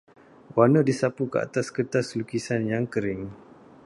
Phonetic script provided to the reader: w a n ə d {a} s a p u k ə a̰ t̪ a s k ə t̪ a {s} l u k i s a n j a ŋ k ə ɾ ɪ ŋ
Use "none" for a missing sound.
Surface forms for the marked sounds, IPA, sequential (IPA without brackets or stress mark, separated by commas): i, s